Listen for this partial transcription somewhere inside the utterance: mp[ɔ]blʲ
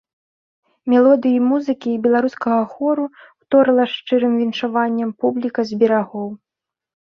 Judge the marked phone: incorrect: u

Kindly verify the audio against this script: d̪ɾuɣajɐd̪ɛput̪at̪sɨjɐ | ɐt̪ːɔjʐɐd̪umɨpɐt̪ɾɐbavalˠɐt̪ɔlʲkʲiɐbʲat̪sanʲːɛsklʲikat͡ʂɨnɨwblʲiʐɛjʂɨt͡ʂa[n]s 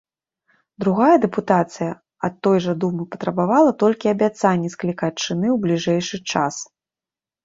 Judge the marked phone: incorrect: none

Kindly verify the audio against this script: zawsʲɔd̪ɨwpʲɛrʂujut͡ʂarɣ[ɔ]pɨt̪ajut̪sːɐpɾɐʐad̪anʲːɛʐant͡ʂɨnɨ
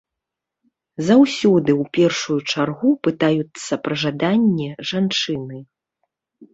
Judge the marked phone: incorrect: u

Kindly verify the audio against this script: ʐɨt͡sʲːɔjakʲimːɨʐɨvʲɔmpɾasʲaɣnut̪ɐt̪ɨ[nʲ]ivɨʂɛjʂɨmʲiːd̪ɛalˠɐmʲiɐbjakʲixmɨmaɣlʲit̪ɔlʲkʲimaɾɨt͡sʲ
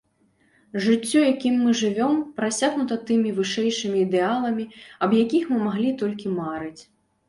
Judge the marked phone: incorrect: mʲ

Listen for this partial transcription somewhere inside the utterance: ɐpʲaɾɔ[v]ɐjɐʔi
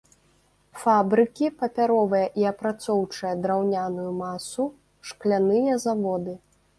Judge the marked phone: correct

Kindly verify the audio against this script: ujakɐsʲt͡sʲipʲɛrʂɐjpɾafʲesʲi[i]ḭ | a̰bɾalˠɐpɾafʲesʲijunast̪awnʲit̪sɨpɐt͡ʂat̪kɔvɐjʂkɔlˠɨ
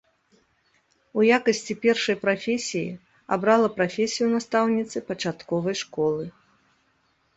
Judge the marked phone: incorrect: j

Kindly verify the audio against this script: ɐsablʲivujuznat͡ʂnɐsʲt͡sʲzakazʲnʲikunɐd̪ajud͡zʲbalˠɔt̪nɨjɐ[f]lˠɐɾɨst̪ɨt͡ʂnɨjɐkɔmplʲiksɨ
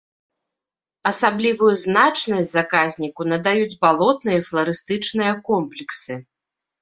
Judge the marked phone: correct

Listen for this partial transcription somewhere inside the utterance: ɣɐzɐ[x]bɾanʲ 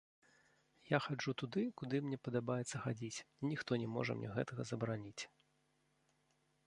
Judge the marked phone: incorrect: none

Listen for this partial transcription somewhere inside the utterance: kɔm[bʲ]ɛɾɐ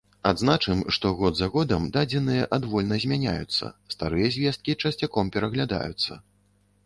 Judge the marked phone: incorrect: pʲ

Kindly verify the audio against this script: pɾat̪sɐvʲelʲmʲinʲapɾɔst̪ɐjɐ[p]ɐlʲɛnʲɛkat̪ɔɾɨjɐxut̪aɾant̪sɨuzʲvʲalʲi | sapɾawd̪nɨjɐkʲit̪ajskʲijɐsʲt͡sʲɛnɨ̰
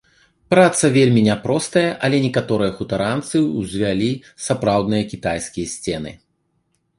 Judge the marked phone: incorrect: ʔ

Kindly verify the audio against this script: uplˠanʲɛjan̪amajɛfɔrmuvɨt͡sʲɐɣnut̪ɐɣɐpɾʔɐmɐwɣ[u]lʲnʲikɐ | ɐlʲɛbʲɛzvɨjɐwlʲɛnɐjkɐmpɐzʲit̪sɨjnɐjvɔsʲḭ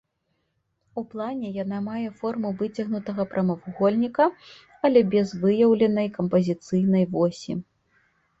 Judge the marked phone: incorrect: ɔ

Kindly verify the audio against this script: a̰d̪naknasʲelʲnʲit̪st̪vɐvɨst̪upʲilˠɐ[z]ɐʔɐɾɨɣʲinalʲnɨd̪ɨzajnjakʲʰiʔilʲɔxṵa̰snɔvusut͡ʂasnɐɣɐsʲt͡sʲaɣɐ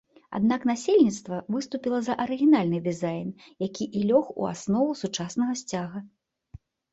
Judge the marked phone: correct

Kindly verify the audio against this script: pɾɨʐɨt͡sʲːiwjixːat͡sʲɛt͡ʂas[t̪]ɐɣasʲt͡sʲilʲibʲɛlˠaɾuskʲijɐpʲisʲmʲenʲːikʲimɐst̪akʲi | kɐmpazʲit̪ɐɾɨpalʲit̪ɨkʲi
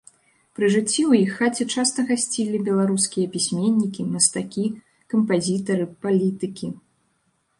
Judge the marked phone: correct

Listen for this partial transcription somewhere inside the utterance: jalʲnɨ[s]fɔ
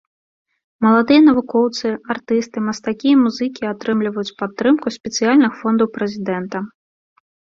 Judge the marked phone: incorrect: x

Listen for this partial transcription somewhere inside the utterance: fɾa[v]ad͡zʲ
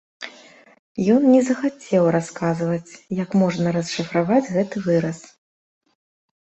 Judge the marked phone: correct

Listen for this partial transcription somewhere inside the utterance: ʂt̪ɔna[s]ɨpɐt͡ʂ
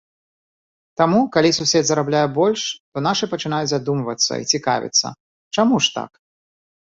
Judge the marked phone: incorrect: ʂ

